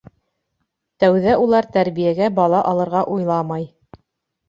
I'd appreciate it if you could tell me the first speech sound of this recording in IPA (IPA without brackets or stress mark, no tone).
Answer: t̪